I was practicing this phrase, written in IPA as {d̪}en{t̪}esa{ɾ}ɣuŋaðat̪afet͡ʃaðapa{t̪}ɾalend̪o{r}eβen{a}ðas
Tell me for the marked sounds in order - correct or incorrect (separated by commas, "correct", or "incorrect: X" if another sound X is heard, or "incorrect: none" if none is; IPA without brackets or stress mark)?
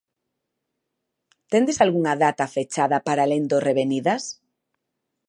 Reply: incorrect: t̪, incorrect: d̪, incorrect: l, incorrect: none, correct, incorrect: i